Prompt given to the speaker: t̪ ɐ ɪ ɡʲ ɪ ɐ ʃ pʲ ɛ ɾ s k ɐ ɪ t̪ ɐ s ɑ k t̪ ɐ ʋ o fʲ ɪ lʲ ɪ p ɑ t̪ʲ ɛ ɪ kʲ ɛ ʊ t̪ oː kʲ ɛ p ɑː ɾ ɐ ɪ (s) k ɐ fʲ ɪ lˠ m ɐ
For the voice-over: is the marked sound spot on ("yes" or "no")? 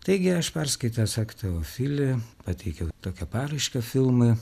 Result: no